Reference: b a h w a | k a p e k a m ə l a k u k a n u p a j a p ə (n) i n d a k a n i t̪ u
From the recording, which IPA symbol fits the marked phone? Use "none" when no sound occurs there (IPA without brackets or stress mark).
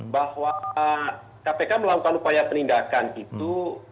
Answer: n